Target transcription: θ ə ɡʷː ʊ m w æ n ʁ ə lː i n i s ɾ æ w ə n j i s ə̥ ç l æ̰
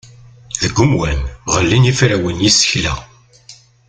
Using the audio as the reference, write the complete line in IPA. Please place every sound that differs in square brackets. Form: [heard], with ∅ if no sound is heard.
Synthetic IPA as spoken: [ð] ə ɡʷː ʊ m w æ n ʁ ə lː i n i [f] ɾ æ w ə n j i s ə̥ ç l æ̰